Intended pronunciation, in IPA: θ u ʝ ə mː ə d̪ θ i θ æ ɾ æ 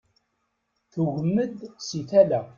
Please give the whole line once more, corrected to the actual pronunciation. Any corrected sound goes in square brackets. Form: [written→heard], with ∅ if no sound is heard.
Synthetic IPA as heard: θ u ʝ ə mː ə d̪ [θ→s] i θ æ [ɾ→l] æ